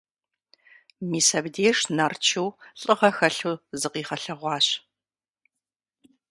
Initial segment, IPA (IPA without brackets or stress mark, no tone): m